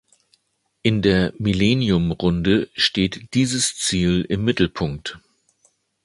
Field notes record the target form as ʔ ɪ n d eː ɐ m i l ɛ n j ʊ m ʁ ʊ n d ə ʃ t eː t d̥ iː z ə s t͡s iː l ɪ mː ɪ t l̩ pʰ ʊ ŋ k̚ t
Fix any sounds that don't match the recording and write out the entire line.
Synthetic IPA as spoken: ʔ ɪ n d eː ɐ m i l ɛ n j ʊ m ʁ ʊ n d ə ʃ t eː t d̥ iː z ə s t͡s iː l ɪ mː ɪ t l̩ pʰ ʊ ŋ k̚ t